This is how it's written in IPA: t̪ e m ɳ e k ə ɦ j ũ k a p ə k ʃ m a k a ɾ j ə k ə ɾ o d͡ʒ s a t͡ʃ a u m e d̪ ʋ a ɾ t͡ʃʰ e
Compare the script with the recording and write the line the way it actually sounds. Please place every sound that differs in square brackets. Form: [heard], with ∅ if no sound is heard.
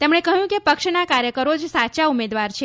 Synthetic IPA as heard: t̪ e m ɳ e k ə ɦ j ũ k [e] p ə k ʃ [n] a k a ɾ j ə k ə ɾ o d͡ʒ s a t͡ʃ a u m e d̪ ʋ a ɾ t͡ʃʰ e

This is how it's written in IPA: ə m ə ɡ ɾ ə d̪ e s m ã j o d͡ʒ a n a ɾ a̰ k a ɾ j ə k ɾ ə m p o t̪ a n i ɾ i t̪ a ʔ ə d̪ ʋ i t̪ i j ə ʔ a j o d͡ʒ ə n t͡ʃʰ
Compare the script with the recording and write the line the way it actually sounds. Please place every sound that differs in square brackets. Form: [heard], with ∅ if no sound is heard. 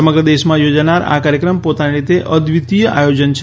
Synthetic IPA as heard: ə m ə ɡ ɾ ə d̪ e [ʃ] m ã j o d͡ʒ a n a ɾ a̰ k a ɾ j ə k ɾ ə m p o t̪ a n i ɾ i t̪ [e] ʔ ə d̪ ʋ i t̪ i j ə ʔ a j o d͡ʒ ə n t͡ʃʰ

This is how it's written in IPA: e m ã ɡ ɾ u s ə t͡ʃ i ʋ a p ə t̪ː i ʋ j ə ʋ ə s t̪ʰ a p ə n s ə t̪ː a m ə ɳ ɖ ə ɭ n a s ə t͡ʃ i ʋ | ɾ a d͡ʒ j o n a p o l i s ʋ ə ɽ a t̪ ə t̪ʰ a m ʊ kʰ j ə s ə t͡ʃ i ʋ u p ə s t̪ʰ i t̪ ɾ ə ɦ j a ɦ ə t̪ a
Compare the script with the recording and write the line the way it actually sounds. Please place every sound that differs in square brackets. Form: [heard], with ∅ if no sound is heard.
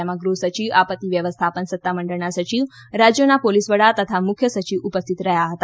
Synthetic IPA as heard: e m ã ɡ ɾ u s ə t͡ʃ i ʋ a p ə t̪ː i ʋ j ə ʋ ə s t̪ʰ a p ə n s ə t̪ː a m ə ɳ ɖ ə ɭ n a s ə t͡ʃ i ʋ | ɾ a d͡ʒ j o n a p o l i s ʋ ə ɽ a t̪ ə t̪ʰ a m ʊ kʰ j ə s ə t͡ʃ i ʋ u p ə s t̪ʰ i t̪ ɾ ə ɦ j a ɦ ə t̪ a

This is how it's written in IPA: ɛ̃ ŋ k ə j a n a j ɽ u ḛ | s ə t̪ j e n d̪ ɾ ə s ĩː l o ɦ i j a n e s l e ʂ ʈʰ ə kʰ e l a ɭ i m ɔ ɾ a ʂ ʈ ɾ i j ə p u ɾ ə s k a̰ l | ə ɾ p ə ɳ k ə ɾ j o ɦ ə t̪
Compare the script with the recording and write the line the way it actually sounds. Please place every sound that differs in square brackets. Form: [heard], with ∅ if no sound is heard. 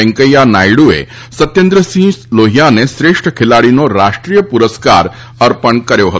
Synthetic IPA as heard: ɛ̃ ŋ k ə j a n a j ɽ u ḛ | s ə t̪ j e n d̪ ɾ ə s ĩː l o ɦ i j a n e s [ɾ] e ʂ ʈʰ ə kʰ e l a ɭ i [n] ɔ ɾ a ʂ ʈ ɾ i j ə p u ɾ ə s k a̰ [ɾ] | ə ɾ p ə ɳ k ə ɾ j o ɦ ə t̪

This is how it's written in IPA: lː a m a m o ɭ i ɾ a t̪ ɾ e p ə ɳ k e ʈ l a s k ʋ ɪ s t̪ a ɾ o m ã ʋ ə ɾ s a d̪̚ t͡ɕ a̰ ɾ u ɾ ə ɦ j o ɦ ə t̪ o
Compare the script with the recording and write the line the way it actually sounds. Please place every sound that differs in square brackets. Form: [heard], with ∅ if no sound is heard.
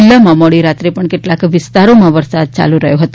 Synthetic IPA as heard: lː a m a m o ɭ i ɾ a t̪ ɾ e p ə ɳ k e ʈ l a [∅] k ʋ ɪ s t̪ a ɾ o m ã ʋ ə ɾ s a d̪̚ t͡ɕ a̰ [l] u ɾ ə ɦ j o ɦ ə t̪ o

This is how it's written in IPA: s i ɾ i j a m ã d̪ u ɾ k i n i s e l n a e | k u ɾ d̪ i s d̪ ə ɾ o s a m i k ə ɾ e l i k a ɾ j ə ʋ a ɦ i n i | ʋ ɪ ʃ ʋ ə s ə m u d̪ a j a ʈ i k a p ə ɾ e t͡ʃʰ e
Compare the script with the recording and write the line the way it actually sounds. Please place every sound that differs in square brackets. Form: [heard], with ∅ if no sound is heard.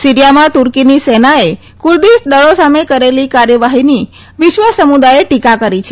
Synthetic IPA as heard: s i ɾ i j a m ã [t̪] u ɾ k i n i s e [∅] n a e | k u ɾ d̪ i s d̪ ə [ɭ] o s a m [e] k ə ɾ e l i k a ɾ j ə ʋ a ɦ i n i | ʋ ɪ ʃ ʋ ə s ə m u d̪ a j [e] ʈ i k a [k] ə ɾ [i] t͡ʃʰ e

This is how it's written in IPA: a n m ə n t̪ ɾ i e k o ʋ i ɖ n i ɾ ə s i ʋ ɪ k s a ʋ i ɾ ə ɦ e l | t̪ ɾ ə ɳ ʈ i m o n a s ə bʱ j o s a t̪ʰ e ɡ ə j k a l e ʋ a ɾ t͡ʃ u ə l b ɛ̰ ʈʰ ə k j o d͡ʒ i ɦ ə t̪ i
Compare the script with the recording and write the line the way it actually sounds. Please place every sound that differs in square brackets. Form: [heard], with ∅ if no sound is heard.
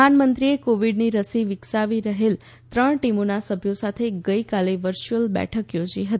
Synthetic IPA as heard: a n m ə n t̪ ɾ i e k o ʋ i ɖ n i ɾ ə s i ʋ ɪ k s a ʋ i ɾ ə ɦ e l | t̪ ɾ ə ɳ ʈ i m o n a s ə bʱ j o s a t̪ʰ e ɡ ə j k a l e ʋ [ə] ɾ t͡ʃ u ə l b ɛ̰ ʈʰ ə k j o d͡ʒ i ɦ ə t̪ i

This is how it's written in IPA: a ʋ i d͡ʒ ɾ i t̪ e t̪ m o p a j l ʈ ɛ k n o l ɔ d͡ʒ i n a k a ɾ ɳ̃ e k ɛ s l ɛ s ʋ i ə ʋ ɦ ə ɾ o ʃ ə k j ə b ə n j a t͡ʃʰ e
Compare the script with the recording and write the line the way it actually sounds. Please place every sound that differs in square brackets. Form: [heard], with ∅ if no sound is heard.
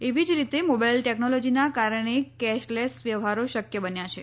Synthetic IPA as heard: [e] ʋ i d͡ʒ ɾ i t̪ e [∅] m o [b] a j l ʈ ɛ k n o l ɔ d͡ʒ i n a k a ɾ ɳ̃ e k ɛ [ʃ] l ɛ s ʋ [j] ə ʋ ɦ [a] ɾ o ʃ ə k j ə b ə n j a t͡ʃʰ e

